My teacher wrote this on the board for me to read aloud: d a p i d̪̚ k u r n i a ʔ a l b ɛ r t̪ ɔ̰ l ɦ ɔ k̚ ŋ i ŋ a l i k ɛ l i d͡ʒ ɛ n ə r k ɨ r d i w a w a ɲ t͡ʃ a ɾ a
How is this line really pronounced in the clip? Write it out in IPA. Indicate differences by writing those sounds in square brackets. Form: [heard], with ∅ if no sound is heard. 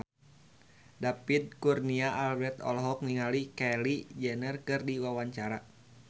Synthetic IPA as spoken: d a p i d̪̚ k u r n i a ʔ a l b ɛ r t̪ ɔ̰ l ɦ ɔ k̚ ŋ i ŋ a l i k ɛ l i d͡ʒ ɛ n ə r k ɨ r d i w a w a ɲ t͡ʃ a ɾ a